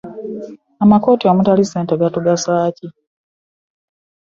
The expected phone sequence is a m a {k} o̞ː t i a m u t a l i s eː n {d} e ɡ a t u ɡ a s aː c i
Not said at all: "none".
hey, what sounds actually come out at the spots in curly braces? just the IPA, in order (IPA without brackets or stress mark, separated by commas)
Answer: k, t